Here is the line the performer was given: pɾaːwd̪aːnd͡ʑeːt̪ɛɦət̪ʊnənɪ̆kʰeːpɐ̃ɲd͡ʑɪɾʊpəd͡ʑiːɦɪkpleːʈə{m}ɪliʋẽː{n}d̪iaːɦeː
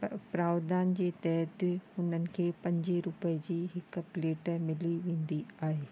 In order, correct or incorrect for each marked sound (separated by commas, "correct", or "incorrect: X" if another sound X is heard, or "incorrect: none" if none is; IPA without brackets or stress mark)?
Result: correct, correct